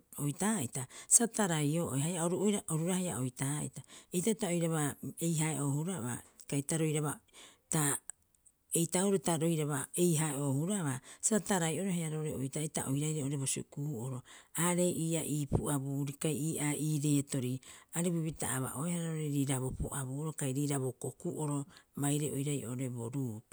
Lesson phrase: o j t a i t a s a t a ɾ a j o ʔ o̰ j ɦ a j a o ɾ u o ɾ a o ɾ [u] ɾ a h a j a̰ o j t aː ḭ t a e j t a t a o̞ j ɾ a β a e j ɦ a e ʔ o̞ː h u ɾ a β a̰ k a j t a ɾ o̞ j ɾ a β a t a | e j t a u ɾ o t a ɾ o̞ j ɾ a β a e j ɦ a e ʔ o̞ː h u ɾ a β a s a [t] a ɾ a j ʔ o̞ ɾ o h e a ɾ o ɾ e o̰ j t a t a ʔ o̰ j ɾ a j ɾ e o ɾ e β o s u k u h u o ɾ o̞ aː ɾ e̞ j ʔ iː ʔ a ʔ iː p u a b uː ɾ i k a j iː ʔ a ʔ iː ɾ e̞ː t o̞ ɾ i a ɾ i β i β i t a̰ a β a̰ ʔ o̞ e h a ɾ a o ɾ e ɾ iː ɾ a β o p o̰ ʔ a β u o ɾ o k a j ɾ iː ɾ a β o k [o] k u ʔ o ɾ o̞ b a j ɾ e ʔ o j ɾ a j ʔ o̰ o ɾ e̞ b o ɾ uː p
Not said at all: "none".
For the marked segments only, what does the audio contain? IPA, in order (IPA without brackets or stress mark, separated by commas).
u, t, o